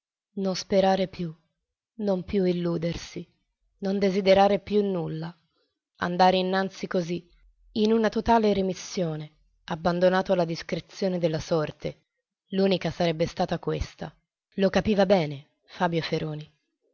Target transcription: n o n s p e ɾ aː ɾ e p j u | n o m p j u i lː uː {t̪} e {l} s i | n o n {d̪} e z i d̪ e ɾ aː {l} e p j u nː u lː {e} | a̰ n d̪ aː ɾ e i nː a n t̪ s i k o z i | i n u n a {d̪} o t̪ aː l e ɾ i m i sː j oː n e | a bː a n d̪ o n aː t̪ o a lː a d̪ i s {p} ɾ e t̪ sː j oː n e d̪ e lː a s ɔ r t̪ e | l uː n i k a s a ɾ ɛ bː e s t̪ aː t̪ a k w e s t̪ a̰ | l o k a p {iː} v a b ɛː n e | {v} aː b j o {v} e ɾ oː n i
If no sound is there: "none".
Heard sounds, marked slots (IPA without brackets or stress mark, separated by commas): d̪, r, d̪, ɾ, a, t̪, k, iː, f, f